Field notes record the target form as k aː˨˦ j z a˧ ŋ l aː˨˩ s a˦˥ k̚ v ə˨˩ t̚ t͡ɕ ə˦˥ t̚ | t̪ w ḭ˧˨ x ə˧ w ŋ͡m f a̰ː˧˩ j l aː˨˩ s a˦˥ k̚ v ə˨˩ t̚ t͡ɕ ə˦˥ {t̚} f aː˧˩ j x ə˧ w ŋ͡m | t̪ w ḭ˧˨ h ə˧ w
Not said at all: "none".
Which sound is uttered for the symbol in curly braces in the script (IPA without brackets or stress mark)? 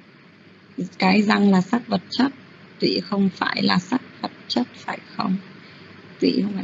t̚